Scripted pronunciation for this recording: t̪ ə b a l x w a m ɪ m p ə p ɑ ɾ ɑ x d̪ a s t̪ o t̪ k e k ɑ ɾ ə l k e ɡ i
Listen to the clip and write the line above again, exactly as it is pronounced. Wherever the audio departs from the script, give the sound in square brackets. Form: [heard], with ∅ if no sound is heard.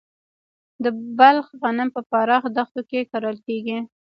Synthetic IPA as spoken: [d̪] ə b a l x [ɣ] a [n] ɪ m p ə p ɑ ɾ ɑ x d̪ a [x] t̪ o [∅] k e k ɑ ɾ ə l k e ɡ i